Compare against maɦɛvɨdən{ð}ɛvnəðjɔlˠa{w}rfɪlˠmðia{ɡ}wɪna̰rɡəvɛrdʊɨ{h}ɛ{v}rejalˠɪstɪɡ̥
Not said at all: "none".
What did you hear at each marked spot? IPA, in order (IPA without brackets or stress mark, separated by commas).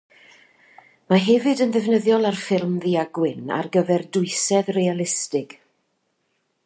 ð, none, ɡ, s, ð